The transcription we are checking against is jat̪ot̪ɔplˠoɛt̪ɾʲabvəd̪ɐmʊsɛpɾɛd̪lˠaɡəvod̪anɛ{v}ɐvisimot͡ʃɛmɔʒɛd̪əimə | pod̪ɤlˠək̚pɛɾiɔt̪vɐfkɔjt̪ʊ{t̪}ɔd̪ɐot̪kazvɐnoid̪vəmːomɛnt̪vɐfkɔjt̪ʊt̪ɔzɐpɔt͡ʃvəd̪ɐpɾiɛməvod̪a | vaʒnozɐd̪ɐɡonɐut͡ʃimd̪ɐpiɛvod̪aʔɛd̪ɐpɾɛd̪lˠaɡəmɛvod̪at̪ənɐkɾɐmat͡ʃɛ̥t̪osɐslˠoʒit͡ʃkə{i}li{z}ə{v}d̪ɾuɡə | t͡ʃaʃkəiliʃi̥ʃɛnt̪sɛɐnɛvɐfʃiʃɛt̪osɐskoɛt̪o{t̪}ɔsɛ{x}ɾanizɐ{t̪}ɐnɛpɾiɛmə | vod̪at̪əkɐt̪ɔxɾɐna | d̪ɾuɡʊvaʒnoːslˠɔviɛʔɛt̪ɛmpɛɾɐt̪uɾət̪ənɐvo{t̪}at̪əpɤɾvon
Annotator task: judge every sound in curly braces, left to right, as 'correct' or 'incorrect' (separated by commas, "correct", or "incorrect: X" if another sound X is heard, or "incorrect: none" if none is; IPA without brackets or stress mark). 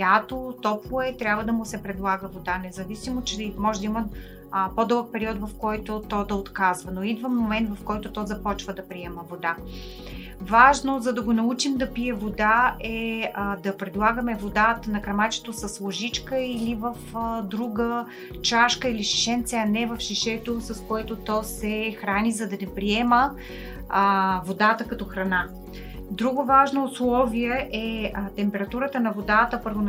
incorrect: z, correct, correct, incorrect: v, incorrect: f, correct, correct, incorrect: d̪, incorrect: d̪